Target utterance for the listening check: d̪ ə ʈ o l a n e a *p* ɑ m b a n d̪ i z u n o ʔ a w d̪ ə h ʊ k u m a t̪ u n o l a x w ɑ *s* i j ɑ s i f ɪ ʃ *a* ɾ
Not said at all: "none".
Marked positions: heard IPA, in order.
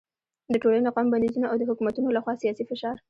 q, s, ɑ

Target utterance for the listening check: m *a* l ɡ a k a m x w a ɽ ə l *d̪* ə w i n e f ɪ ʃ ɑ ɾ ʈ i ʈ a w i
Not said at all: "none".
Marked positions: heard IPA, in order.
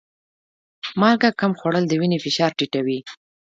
ɑ, d̪

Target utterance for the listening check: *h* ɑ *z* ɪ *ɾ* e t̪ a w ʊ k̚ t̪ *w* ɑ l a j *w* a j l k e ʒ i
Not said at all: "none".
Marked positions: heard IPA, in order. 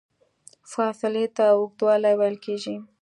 f, s, l, w, w

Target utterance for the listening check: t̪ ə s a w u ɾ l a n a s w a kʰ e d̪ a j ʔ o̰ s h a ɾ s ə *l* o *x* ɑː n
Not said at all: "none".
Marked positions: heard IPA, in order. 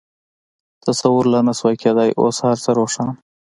ɾ, ʂ

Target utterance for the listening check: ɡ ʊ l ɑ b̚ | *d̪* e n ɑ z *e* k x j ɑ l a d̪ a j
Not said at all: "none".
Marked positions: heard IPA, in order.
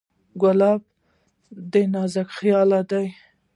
d̪, a

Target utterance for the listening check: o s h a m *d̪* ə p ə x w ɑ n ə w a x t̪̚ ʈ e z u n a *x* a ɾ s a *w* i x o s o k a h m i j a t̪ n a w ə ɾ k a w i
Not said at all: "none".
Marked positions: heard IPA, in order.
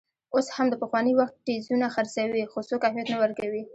d̪, x, w

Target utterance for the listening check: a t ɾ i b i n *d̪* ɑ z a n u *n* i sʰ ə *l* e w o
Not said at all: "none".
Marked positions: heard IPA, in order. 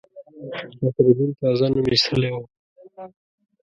t̪, m, l

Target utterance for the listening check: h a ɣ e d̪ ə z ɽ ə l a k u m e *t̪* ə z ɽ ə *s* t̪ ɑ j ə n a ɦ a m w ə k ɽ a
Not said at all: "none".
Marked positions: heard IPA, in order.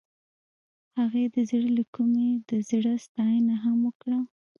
d̪, s

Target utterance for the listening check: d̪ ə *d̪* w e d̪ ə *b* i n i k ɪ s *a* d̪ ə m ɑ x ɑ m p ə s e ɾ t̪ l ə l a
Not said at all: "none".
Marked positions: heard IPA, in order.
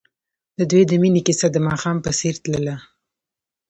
d̪, m, a

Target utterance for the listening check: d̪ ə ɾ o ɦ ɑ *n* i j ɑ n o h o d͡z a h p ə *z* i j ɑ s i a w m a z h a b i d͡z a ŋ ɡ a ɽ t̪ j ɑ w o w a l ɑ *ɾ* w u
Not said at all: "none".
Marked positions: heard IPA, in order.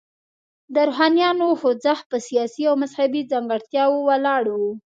n, s, ɽ

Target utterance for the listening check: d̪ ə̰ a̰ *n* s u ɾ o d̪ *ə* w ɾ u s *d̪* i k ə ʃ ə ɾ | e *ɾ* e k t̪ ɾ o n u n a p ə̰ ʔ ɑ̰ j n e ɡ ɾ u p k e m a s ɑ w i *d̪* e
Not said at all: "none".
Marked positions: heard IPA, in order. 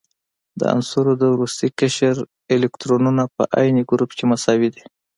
n, ə, t̪, l, d̪

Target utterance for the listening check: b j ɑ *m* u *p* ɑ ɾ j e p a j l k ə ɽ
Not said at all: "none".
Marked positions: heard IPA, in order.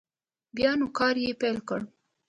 n, k

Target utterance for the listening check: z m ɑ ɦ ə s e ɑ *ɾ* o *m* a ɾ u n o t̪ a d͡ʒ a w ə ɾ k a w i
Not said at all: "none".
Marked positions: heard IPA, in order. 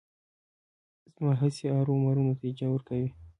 ɾ, m

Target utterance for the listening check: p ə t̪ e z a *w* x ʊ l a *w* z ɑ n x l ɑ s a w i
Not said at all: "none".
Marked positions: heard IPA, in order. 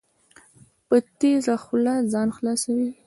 none, none

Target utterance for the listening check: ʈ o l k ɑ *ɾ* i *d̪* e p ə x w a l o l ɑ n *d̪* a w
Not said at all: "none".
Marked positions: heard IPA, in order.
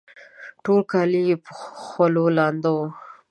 l, none, d̪

